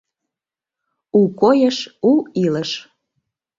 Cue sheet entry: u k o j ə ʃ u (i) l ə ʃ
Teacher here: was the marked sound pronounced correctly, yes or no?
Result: yes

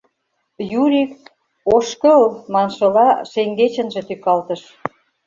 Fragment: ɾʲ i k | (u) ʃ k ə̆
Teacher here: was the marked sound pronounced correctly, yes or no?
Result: no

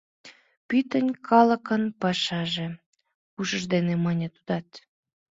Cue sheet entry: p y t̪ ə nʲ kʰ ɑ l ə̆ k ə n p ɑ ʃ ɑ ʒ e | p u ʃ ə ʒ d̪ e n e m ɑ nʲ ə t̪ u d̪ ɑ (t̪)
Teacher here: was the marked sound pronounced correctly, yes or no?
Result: yes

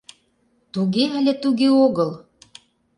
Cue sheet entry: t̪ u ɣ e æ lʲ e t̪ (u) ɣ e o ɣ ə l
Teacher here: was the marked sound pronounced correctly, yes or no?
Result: yes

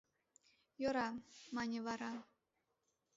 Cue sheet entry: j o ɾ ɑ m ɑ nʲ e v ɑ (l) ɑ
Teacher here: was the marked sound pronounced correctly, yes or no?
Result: no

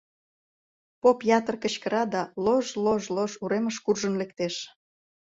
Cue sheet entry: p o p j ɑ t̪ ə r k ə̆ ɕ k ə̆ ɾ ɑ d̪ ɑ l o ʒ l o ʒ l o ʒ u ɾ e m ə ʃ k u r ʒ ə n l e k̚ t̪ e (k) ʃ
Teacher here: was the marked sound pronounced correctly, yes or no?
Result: no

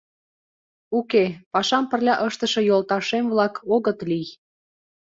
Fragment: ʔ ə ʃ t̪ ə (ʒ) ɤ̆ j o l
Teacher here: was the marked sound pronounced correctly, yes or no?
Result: no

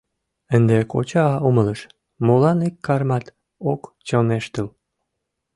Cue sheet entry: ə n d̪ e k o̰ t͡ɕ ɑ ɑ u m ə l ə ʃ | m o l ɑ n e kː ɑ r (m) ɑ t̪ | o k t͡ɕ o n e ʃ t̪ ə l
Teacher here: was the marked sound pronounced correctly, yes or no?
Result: yes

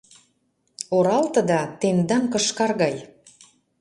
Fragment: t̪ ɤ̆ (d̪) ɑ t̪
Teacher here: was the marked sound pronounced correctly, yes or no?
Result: yes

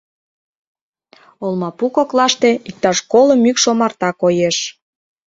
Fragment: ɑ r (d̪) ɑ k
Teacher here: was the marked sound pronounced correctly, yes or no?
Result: no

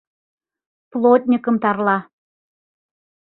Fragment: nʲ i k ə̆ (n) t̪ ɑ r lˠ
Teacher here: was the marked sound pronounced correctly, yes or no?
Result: no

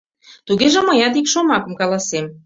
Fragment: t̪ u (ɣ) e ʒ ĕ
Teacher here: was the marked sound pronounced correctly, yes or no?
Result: yes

